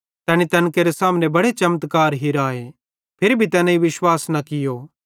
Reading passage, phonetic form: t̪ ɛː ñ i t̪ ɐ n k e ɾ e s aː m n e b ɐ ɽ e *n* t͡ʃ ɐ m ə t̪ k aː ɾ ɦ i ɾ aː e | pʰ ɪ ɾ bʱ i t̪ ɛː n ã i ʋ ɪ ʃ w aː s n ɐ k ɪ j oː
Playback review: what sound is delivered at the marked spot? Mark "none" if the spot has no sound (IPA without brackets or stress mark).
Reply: none